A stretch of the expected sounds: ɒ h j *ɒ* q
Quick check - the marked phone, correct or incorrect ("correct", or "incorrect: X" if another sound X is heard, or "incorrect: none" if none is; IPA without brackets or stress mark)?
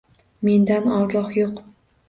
incorrect: o